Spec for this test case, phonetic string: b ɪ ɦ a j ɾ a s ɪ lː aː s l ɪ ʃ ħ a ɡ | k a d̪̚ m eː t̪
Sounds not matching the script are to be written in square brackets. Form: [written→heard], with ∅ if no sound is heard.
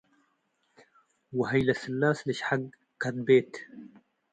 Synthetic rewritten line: [b→w] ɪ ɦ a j [ɾ→l] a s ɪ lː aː s l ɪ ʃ ħ a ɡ | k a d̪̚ [m→b] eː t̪